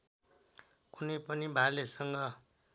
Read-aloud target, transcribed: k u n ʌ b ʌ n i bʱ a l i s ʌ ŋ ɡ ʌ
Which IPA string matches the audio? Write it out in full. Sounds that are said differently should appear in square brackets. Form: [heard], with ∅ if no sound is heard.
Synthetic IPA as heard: k u n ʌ [p] ʌ n i bʱ a l [e] s ʌ ŋ ɡ ʌ

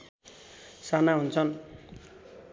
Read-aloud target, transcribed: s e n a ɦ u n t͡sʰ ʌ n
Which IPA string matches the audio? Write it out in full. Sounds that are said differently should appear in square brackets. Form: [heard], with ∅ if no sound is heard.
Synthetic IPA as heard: s [a] n a ɦ u n t͡sʰ ʌ n

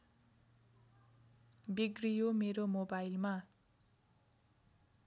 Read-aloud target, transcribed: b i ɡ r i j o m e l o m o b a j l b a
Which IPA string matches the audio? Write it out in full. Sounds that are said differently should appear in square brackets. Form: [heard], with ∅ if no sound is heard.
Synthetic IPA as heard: b i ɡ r i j o m e [ɾ] o m o b a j l [m] a

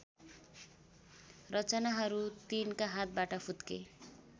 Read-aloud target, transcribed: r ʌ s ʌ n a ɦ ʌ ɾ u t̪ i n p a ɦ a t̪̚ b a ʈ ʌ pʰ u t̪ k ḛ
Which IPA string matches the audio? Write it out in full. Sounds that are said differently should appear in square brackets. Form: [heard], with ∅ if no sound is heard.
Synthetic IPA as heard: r ʌ [t͡s] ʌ n a ɦ ʌ ɾ u t̪ i n [k] a ɦ a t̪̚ b a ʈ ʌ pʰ u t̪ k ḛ

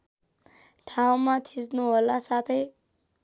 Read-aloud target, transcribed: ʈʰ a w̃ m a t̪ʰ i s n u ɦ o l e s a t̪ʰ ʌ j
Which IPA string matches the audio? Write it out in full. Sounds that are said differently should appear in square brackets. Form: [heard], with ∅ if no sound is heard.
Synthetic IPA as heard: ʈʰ a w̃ m a t̪ʰ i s n u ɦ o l [a] s a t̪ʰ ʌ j

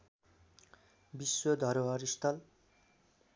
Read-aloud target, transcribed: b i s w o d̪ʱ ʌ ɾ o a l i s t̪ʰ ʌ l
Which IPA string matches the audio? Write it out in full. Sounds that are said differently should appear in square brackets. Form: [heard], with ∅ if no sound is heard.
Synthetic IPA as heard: b i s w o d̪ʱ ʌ ɾ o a [ɾ] i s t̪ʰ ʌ l

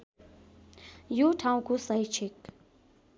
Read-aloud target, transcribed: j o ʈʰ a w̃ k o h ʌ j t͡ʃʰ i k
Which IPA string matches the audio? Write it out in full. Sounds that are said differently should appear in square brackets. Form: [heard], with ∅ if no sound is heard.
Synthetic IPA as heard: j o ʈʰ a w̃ k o [s] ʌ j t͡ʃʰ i k

